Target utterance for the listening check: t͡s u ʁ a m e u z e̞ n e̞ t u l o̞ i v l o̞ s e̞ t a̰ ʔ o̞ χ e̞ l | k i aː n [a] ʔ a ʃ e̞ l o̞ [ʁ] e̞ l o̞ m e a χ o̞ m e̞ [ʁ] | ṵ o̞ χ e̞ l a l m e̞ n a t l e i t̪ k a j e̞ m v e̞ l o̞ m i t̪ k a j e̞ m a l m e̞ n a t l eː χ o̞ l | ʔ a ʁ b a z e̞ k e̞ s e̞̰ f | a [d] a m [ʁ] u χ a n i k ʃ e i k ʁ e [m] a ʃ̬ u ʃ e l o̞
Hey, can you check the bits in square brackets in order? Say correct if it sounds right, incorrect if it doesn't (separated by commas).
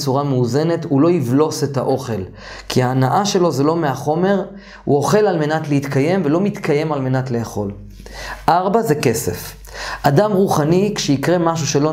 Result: correct, incorrect, correct, correct, correct, correct